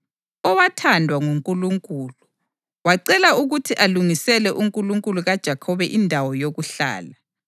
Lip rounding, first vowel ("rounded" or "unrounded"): rounded